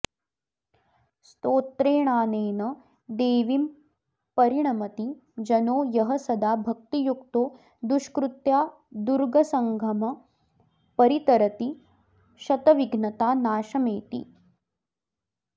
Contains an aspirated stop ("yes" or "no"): no